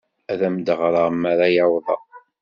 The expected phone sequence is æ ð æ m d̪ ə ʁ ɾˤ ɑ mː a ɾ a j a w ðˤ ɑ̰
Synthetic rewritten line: æ ð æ m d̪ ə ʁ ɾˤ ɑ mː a ɾ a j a w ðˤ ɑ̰